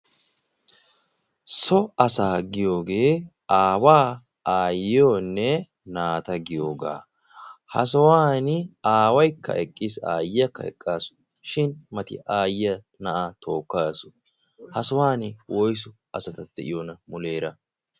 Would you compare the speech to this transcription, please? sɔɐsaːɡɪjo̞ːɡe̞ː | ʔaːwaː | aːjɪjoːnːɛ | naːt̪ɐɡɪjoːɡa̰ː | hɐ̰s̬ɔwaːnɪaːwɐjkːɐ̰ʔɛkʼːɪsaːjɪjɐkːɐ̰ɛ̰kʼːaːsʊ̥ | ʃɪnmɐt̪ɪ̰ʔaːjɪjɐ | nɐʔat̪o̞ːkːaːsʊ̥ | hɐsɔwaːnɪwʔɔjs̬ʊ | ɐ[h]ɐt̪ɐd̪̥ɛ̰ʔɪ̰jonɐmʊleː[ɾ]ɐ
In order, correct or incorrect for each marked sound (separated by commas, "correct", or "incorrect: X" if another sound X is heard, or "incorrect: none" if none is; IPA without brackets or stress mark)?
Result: incorrect: s, correct